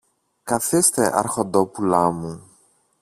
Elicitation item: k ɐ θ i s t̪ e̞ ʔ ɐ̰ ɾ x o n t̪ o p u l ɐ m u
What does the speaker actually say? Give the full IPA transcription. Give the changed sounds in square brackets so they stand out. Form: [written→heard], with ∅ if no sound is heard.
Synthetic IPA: k ɐ θ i s t̪ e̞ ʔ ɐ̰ ɾ x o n [t̪→d̪] o p u l ɐ m u